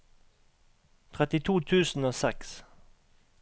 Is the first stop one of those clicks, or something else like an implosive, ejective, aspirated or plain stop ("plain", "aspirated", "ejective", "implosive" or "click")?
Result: aspirated